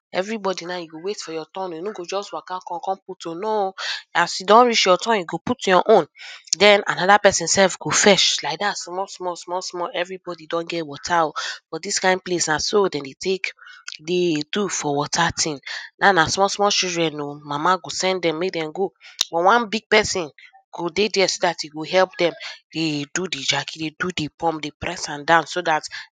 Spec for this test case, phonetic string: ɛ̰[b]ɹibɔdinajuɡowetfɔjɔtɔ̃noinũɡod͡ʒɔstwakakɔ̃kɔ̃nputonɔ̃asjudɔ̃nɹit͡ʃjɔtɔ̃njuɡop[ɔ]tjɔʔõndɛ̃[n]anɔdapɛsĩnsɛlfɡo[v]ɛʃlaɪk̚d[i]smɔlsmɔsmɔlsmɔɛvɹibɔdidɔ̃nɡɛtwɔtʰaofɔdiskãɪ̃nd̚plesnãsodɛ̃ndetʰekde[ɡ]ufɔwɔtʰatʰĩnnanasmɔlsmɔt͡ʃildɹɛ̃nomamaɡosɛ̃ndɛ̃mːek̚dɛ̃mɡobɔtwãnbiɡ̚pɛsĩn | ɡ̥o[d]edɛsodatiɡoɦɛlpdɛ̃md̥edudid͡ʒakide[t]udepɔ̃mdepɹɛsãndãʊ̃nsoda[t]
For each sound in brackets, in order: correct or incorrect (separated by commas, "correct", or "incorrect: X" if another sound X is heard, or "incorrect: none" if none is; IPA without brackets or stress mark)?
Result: incorrect: v, incorrect: u, correct, incorrect: f, incorrect: a, incorrect: d, correct, incorrect: d, correct